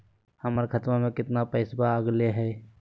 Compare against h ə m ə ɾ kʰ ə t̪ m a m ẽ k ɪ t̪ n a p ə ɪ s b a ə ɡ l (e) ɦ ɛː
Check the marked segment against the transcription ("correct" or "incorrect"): correct